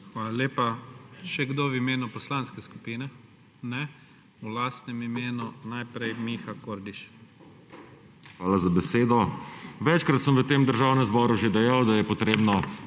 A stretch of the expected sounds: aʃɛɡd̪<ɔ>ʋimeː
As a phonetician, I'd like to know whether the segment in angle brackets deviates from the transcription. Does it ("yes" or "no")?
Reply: yes